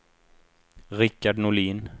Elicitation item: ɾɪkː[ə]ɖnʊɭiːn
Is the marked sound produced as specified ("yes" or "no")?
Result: no